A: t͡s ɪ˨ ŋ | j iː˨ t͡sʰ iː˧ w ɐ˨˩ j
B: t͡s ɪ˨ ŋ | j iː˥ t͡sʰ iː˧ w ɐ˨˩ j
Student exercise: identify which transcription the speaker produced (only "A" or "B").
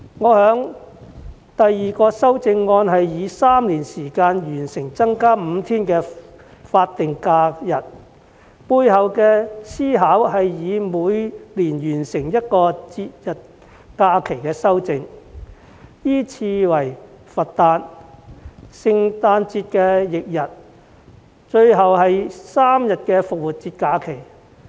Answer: B